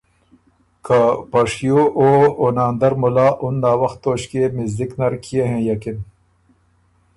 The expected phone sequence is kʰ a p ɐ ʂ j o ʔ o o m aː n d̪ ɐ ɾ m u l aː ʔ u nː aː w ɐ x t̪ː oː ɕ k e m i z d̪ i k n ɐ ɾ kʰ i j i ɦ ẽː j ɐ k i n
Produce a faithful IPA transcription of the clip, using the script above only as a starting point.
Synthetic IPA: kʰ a p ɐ ʂ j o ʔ o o n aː n d̪ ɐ ɾ m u l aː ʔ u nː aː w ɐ x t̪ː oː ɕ k e m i z d̪ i k n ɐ ɾ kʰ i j e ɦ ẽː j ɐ k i n